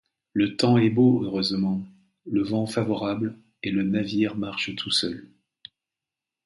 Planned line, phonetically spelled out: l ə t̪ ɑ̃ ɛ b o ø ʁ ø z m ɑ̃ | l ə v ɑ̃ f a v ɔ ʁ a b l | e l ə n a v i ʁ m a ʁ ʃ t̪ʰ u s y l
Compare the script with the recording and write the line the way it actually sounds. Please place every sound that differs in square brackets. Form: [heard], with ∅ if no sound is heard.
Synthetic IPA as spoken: l ə t̪ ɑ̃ ɛ b o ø ʁ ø z m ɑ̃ | l ə v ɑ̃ f a v ɔ ʁ a b l | e l ə n a v i ʁ m a ʁ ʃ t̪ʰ u s [œ] l